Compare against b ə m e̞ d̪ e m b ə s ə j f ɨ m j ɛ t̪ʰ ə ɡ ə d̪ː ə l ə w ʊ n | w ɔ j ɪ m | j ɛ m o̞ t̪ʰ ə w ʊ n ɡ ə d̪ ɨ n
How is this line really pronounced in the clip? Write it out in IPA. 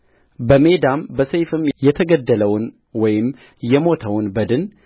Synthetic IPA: b ə m e̞ d̪ a m b ə s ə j f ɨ m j ɛ t̪ʰ ə ɡ ə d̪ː ə l ə w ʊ n | w ɔ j ɪ m | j ɛ m o̞ t̪ʰ ə w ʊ n b ə d̪ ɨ n